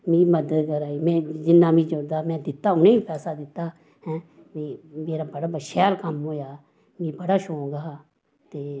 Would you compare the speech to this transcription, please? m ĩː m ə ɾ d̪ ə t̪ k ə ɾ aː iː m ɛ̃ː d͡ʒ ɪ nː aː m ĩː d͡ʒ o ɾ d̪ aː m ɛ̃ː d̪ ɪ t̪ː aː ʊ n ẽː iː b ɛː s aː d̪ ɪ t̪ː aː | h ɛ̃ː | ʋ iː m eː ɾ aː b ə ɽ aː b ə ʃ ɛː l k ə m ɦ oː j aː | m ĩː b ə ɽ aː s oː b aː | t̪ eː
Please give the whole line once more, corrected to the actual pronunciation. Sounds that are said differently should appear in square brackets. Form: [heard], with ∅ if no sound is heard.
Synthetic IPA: m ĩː m ə [∅] d̪ ə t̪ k ə ɾ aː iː m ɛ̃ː d͡ʒ ɪ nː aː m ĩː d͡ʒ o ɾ d̪ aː m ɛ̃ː d̪ ɪ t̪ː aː ʊ n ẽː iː [p] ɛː s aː d̪ ɪ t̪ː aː | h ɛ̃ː | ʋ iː m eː ɾ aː b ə ɽ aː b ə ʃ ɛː l k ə m ɦ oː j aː | m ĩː b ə ɽ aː [ʃ] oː [ɡ] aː | t̪ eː